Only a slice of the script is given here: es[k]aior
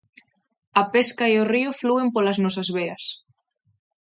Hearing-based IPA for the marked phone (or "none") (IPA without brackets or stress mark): k